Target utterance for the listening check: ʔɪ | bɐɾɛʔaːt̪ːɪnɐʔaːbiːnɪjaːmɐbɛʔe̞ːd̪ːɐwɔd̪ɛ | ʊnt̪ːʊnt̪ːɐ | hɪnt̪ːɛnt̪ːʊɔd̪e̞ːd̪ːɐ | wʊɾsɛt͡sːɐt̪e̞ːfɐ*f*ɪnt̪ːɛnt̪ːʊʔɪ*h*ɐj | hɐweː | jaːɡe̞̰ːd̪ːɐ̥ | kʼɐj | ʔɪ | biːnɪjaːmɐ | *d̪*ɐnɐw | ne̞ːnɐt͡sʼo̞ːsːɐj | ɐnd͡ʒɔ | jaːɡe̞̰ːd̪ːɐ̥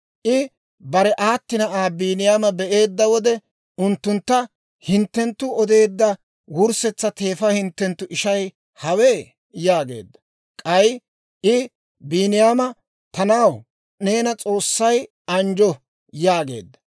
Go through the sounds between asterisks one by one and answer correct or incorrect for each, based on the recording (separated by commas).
incorrect, incorrect, incorrect